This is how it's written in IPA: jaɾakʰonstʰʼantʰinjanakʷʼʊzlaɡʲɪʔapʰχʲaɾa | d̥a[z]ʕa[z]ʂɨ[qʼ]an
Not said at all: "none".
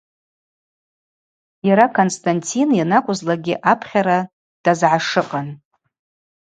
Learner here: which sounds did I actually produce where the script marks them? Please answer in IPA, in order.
z, none, qʼ

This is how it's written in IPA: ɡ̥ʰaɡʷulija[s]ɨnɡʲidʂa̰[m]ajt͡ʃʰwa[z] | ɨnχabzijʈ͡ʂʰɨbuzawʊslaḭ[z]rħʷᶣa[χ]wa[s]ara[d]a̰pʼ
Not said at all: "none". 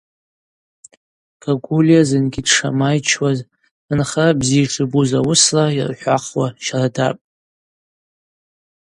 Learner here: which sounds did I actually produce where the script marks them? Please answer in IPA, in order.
z, m, z, none, χ, ʃ, d

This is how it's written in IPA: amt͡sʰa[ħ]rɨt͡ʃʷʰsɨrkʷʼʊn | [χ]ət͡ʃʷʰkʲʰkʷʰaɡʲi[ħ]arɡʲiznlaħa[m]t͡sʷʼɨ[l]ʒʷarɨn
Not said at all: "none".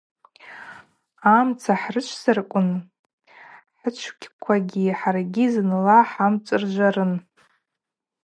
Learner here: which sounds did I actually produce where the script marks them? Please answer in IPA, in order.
ħ, ħ, ħ, m, r

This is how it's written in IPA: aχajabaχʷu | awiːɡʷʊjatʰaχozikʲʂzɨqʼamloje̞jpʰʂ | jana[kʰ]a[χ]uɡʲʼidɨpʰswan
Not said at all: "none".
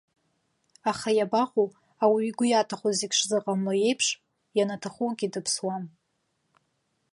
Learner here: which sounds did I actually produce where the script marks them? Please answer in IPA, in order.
tʰ, χ

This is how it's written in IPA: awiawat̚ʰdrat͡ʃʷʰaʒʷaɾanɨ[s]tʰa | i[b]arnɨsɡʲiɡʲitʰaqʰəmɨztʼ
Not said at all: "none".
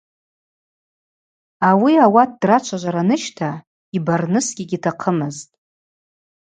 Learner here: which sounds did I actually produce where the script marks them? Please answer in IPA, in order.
ʃ, b

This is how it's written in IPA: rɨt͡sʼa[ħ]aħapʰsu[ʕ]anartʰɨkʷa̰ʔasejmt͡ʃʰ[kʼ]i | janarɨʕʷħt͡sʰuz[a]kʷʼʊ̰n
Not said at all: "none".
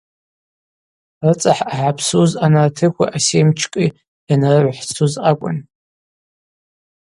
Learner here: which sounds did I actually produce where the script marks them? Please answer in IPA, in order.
ħ, z, kʼ, a

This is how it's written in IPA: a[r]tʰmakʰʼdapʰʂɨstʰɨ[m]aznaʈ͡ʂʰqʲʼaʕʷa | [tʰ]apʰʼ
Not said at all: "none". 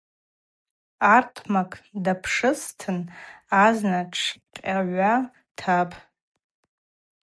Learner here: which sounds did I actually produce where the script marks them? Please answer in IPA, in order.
r, n, tʰ

